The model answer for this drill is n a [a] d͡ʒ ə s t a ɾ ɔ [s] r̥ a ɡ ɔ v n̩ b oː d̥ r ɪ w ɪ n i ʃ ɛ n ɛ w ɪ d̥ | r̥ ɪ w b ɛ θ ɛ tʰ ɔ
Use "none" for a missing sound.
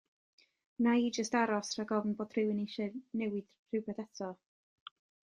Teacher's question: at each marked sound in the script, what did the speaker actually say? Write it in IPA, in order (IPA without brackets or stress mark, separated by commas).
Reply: i, s